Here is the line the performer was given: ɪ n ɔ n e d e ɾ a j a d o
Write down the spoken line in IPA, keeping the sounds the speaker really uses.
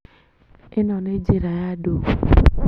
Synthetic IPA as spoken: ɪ n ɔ n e d͡ʒ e ɾ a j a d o